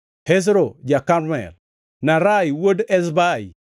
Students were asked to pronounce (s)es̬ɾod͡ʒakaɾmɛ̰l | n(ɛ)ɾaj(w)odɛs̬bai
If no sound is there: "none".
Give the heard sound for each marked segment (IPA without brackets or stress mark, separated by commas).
h, a, w